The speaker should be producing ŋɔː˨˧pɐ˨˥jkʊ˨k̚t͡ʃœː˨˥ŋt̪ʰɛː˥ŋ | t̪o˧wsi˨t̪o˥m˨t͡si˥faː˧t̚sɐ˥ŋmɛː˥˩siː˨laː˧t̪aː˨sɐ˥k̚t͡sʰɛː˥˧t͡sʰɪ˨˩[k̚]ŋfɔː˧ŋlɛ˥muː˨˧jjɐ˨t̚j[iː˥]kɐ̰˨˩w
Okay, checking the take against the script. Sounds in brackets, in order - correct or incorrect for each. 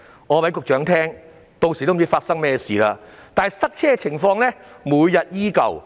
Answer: incorrect: none, correct

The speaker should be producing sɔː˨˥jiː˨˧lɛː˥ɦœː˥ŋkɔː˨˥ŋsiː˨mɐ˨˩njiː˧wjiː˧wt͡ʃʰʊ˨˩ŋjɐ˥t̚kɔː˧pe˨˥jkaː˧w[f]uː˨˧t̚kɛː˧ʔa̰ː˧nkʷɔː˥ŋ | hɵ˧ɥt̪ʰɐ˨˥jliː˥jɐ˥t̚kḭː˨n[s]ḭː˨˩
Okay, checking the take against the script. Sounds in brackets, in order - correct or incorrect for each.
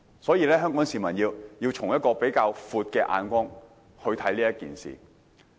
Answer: correct, correct

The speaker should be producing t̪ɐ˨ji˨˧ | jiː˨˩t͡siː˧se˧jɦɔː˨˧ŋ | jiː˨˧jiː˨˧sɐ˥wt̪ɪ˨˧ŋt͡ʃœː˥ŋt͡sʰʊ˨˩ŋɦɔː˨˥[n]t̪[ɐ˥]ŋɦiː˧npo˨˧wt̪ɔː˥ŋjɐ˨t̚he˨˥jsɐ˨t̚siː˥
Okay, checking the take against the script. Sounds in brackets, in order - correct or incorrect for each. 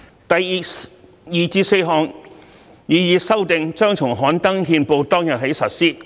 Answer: correct, correct

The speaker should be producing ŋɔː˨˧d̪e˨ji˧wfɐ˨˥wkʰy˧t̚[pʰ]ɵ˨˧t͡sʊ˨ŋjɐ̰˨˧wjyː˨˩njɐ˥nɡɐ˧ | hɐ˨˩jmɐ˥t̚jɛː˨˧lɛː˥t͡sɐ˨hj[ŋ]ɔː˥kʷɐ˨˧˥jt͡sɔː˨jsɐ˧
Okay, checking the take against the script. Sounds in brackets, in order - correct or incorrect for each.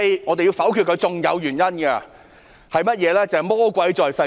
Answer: incorrect: kʰ, incorrect: m

